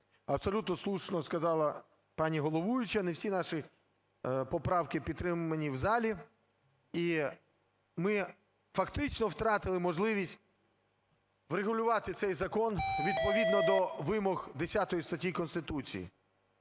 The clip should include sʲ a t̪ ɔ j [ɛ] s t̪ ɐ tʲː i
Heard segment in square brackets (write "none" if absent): i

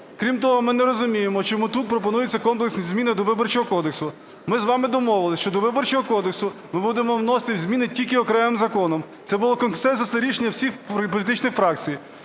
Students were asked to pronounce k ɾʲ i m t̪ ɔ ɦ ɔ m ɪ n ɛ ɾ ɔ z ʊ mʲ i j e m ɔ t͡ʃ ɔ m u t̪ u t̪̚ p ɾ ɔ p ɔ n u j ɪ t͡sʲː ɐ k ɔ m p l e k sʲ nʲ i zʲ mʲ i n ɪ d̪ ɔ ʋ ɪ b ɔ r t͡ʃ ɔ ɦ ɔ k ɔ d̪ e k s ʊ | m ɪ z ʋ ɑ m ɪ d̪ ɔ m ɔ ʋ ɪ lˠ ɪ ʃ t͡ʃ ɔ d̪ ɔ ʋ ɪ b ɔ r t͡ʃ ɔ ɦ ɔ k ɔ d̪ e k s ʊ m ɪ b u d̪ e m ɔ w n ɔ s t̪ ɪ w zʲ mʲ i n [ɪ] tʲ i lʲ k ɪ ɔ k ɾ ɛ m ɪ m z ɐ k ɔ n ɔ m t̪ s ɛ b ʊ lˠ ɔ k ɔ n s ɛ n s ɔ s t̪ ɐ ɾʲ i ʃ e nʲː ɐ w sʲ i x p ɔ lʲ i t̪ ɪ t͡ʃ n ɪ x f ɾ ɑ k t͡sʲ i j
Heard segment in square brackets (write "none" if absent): ɪ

